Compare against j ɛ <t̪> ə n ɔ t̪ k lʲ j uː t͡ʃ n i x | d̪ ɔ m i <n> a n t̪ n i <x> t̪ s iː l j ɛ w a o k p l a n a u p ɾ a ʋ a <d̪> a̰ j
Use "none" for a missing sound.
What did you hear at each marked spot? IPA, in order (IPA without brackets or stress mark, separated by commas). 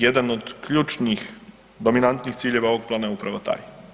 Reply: d̪, n, x, t̪